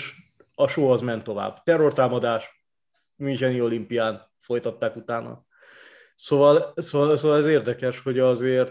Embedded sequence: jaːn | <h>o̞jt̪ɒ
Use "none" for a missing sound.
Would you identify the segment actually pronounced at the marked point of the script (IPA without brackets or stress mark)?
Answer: f